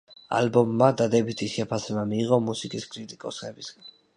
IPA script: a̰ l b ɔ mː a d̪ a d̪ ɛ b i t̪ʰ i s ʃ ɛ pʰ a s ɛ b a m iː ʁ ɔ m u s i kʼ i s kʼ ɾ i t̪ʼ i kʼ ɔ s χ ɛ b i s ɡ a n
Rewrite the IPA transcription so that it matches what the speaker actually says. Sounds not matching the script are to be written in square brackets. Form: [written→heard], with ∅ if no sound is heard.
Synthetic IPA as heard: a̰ l b ɔ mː a d̪ a d̪ ɛ b i t̪ʰ i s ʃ ɛ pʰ a s ɛ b a m iː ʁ ɔ m u s i kʼ i s kʼ ɾ i t̪ʼ i kʼ ɔ s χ ɛ b i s ɡ a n